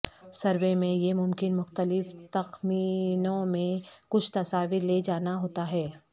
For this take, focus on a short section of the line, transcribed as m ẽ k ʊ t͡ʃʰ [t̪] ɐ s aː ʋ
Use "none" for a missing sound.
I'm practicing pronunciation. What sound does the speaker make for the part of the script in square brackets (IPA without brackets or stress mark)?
t̪